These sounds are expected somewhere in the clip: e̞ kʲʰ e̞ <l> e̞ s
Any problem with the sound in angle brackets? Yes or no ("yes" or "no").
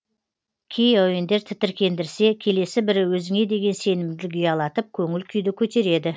no